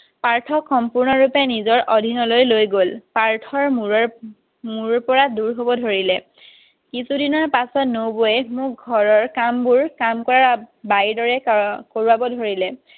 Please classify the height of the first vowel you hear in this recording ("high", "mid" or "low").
low